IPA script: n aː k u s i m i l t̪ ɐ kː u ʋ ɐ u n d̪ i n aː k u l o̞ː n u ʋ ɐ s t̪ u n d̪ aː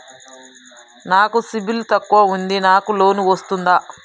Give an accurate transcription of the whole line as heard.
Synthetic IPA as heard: n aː k u s i b i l t̪ ɐ kː u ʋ ɐ u n d̪ i n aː k u l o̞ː n u ʋ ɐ s t̪ u n d̪ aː

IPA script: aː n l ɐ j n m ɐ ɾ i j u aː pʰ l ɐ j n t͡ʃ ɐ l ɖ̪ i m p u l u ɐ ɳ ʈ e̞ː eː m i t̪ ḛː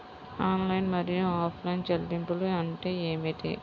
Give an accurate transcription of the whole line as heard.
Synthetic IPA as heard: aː n l ɐ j n m ɐ ɾ i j u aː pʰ l ɐ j n t͡ʃ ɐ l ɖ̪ i m p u l u ɐ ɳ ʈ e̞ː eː m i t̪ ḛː

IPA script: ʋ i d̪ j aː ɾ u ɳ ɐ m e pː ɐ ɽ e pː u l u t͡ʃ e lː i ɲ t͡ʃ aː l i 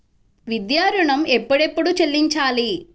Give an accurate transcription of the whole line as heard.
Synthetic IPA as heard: ʋ i d̪ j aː ɾ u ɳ ɐ m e pː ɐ ɽ e pː u ɽ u t͡ʃ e lː i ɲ t͡ʃ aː l i

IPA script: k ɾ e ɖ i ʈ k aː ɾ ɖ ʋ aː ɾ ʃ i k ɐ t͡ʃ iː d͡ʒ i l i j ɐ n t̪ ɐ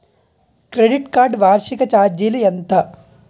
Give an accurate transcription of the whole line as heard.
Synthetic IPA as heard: k ɾ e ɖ i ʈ k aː ɾ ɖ ʋ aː ɾ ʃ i k ɐ t͡ʃ aː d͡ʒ i l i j ɐ n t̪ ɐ

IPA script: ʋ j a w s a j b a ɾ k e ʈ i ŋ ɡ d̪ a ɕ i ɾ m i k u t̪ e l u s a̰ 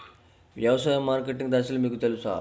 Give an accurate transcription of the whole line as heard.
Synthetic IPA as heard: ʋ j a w s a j m a ɾ k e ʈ i ŋ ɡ d̪ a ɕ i l m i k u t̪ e l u s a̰

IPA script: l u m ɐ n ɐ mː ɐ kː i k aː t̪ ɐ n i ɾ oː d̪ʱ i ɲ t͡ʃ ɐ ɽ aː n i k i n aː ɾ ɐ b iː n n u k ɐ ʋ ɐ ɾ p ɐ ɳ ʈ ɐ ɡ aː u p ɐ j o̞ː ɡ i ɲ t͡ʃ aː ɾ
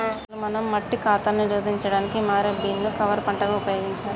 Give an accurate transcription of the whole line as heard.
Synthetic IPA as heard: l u m ɐ n ɐ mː ɐ ʈː i k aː t̪ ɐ n i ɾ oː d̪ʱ i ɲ t͡ʃ ɐ ɽ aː n i k i m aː ɾ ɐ b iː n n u k ɐ ʋ ɐ ɾ p ɐ ɳ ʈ ɐ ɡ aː u p ɐ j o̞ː ɡ i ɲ t͡ʃ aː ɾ

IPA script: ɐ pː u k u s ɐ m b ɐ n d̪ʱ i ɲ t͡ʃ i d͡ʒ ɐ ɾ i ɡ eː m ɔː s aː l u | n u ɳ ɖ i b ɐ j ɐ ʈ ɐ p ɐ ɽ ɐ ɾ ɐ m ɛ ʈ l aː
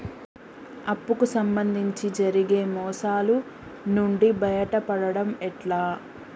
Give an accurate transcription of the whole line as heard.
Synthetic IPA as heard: ɐ pː u k u s ɐ m b ɐ n d̪ʱ i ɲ t͡ʃ i d͡ʒ ɐ ɾ i ɡ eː m ɔː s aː l u | n u ɳ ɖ i b ɐ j ɐ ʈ ɐ p ɐ ɽ ɐ ɽ ɐ m ɛ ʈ l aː

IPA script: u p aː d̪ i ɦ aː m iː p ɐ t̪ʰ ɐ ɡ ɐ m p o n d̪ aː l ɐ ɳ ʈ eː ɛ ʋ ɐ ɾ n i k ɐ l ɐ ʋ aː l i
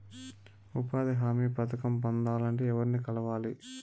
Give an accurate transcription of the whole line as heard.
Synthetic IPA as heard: u p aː d̪ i ɦ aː m iː p ɐ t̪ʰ ɐ k ɐ m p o n d̪ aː l ɐ ɳ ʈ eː ɛ ʋ ɐ ɾ n i k ɐ l ɐ ʋ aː l i

